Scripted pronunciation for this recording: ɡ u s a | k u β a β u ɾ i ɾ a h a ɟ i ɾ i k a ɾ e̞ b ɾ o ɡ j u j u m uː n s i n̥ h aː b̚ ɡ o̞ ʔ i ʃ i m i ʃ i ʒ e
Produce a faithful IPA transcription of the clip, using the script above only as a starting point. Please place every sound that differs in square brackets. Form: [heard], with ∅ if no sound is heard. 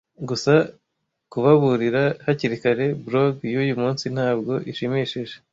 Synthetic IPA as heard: ɡ u s a | k u β a β u ɾ i ɾ a h a [c] i ɾ i k a ɾ e̞ b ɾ o ɡ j u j u m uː n s i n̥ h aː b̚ ɡ o̞ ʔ i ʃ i m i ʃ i ʒ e